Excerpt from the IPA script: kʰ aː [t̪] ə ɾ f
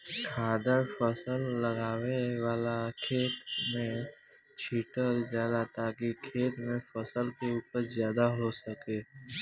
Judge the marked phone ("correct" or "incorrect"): incorrect